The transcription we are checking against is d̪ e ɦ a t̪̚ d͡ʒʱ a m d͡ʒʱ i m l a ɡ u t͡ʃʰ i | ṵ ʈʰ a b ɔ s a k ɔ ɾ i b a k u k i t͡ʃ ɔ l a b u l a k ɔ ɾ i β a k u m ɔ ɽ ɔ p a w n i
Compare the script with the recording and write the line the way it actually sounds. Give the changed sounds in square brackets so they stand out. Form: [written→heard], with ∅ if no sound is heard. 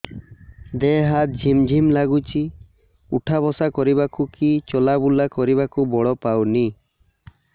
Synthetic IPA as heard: d̪ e ɦ a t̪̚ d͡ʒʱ [a→i] m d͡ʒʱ i m l a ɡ u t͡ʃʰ i | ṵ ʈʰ a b ɔ s a k ɔ ɾ i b a k u k i t͡ʃ ɔ l a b u l a k ɔ ɾ i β a k u [m→b] ɔ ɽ ɔ p a w n i